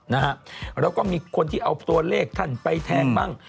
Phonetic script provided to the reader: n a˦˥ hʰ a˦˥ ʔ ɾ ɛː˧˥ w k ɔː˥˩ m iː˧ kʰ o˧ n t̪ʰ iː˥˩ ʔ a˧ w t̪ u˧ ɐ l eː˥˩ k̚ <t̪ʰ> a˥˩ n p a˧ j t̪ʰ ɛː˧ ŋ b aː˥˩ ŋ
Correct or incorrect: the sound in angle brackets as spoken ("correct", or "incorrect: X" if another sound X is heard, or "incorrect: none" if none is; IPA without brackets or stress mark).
correct